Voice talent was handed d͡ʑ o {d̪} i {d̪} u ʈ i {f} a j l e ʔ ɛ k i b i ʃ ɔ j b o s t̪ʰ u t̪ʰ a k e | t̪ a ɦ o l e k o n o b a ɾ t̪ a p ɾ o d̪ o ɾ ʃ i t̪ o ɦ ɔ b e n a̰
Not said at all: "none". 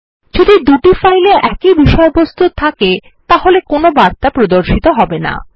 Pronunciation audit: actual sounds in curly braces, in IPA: d̪, d̪, f

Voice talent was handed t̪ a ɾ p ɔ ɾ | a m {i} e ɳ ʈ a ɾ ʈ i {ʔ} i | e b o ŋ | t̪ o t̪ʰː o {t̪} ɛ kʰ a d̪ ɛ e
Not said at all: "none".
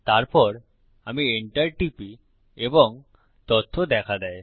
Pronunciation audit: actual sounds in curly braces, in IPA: i, p, d̪

